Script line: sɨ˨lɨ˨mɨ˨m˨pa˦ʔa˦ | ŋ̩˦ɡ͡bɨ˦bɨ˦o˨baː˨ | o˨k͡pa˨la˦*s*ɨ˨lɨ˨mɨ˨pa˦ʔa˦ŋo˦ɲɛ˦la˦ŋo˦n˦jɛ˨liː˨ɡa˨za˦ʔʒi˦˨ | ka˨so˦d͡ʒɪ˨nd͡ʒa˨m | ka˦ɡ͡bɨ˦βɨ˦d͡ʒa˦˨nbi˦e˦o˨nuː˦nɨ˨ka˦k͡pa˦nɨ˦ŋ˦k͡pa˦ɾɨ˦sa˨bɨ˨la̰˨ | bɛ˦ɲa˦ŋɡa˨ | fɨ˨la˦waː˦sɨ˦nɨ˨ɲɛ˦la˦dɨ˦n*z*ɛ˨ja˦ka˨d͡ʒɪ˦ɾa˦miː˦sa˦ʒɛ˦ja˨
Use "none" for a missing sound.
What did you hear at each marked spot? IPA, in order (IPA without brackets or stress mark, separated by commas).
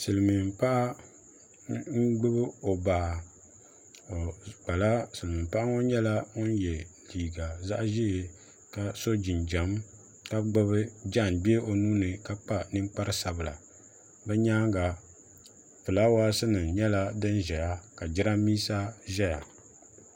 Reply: s, ʒ